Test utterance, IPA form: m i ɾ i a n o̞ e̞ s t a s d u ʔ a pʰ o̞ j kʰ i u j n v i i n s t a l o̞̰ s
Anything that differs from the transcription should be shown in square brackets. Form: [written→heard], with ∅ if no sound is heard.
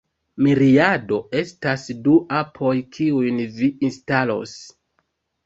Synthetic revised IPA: m i ɾ i a [n→d] o̞ e̞ s t a s d u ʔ a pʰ o̞ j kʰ i u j n v i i n s t a l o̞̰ s